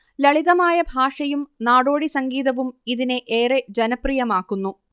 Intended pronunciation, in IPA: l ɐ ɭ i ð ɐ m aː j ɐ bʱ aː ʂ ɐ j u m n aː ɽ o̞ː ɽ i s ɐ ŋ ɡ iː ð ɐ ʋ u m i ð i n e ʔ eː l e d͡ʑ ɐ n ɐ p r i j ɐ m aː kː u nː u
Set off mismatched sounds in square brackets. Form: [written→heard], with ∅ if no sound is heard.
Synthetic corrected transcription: l ɐ ɭ i ð ɐ m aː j ɐ bʱ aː ʂ ɐ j u m n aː ɽ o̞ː ɽ i s ɐ ŋ ɡ iː ð ɐ ʋ u m i ð i n e ʔ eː [l→r] e d͡ʑ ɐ n ɐ p r i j ɐ m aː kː u nː u